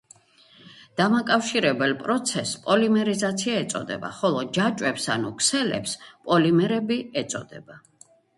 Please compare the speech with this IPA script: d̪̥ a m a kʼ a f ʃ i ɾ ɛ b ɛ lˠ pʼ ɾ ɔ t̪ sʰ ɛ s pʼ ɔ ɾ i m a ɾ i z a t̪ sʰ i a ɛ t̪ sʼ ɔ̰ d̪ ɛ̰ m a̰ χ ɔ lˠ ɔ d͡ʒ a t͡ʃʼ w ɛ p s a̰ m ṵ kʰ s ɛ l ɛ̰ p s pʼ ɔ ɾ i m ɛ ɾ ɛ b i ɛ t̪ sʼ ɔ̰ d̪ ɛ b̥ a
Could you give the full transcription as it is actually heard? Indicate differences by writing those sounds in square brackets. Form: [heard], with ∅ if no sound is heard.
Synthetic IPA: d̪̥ a m a kʼ a f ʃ i ɾ ɛ b ɛ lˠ pʼ ɾ ɔ t̪ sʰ ɛ s pʼ ɔ [l] i m [ɛ] ɾ i z a t̪ sʰ i a ɛ t̪ sʼ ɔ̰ d̪ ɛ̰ [b] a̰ χ ɔ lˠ ɔ d͡ʒ a t͡ʃʼ w ɛ p s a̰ [n] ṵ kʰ s ɛ l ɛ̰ p s pʼ ɔ [l] i m ɛ ɾ ɛ b i ɛ t̪ sʼ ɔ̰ d̪ ɛ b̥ a